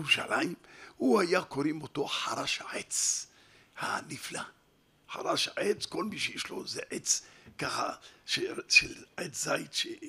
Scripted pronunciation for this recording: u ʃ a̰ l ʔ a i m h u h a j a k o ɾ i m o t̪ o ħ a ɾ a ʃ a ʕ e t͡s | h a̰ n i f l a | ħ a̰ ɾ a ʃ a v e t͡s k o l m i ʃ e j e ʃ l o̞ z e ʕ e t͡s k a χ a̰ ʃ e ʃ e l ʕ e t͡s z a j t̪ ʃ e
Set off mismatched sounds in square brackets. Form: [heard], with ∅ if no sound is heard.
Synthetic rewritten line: u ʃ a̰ l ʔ a i m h u h a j a k o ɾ i m o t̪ o ħ a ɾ a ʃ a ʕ e t͡s | h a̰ n i f l a | ħ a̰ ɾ a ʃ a [ʕ] e t͡s k o l m i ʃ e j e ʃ l o̞ z e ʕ e t͡s k a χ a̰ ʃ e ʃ e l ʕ e t͡s z a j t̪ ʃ e